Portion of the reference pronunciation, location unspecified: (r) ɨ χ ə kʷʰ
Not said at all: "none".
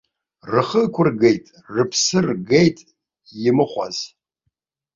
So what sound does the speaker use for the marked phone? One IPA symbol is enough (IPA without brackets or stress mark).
r